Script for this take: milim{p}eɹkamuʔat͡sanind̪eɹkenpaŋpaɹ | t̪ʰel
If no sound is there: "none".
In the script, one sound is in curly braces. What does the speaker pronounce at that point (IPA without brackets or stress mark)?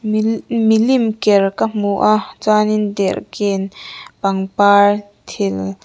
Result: k